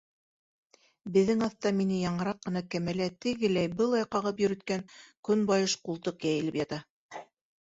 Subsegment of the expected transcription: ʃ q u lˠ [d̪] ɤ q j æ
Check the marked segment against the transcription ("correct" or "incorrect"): incorrect